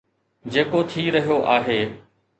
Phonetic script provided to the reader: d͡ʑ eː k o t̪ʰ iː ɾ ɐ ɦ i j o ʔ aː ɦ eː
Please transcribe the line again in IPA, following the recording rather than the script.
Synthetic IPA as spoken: d͡ʑ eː k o t̪ʰ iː ɾ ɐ ɦ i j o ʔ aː ɦ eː